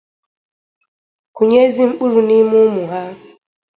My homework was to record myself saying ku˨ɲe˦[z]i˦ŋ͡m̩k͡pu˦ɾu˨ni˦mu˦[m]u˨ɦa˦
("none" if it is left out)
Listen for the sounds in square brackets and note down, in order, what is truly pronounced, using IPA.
z, m

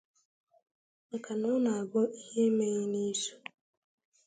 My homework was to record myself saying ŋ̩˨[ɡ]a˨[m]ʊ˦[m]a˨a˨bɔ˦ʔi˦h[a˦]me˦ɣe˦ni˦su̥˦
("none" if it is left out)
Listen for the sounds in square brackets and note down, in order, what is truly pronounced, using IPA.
k, n, n, e˦

